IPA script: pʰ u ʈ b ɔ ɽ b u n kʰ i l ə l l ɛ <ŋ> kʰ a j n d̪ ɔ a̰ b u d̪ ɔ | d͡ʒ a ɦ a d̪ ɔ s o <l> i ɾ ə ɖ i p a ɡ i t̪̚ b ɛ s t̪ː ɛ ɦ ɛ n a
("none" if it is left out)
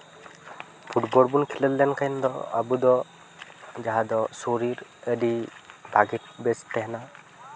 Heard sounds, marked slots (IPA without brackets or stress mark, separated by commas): n, ɾ